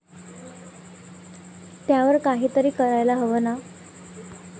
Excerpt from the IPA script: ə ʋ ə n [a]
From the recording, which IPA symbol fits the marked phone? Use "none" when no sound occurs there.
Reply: a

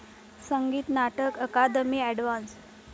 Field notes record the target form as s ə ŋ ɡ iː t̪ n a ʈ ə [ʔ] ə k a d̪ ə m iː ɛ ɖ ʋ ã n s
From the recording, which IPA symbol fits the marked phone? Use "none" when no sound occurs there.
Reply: k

